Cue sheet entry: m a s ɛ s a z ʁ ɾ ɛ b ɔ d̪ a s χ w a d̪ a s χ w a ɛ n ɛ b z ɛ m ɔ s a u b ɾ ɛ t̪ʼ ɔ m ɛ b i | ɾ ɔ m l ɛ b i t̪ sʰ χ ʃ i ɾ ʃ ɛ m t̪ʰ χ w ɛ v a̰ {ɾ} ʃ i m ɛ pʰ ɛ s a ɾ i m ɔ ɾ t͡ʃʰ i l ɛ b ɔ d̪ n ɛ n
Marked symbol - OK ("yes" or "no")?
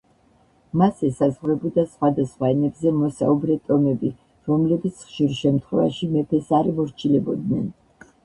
no